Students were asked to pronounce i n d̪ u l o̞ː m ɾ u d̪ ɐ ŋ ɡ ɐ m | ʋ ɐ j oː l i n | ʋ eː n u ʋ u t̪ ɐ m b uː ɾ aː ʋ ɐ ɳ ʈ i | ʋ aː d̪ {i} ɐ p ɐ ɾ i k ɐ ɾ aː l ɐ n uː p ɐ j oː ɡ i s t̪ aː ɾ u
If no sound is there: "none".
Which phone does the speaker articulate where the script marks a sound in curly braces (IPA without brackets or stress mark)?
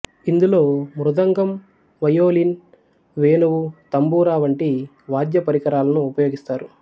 j